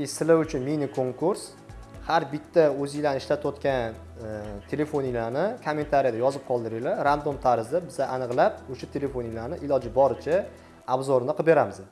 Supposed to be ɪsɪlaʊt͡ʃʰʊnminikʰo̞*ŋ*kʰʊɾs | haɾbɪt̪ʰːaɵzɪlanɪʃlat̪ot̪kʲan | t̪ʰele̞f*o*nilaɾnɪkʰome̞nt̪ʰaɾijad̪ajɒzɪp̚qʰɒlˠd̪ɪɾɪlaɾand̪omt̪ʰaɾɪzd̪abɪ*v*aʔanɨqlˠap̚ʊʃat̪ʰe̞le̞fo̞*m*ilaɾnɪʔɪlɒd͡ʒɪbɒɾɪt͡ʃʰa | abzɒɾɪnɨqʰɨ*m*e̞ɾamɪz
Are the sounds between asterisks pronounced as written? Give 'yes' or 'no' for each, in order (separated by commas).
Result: yes, yes, no, no, no